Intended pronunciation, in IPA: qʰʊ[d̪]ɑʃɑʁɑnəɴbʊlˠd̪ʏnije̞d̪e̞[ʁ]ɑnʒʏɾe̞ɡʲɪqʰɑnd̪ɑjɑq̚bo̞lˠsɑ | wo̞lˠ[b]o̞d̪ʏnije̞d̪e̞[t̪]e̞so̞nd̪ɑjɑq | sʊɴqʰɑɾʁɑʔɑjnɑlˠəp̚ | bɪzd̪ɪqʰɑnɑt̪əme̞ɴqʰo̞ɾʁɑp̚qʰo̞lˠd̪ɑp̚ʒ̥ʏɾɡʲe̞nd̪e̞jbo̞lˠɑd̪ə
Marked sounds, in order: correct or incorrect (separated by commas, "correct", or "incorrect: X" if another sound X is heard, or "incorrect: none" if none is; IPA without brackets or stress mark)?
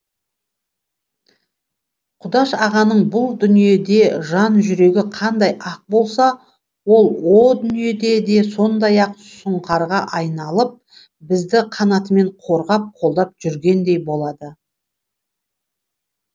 correct, incorrect: ʒ, incorrect: w, incorrect: d̪